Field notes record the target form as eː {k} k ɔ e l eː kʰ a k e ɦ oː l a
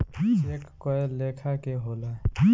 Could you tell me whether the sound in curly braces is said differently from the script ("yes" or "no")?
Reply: no